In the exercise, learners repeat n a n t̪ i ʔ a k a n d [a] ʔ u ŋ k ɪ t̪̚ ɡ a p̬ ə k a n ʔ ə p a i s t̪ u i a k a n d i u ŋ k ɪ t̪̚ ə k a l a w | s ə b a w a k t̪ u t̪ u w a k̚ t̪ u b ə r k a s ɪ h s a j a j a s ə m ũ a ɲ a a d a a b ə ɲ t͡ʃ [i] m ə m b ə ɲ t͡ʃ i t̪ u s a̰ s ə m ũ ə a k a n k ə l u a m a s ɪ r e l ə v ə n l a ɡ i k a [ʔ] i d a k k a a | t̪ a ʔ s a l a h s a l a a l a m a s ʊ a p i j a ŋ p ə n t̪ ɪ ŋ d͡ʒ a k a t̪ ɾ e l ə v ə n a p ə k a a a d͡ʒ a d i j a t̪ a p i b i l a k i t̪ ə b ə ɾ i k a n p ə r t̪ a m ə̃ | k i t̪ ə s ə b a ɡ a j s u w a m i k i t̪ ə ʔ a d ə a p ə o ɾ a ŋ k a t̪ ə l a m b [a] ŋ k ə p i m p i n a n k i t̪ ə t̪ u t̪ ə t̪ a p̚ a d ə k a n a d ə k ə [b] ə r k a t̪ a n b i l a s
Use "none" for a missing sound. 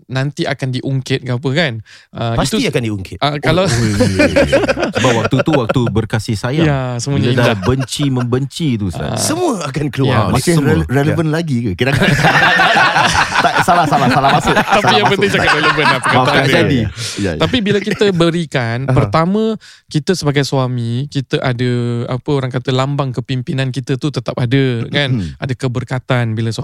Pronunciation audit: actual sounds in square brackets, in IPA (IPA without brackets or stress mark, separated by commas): i, i, k, a, b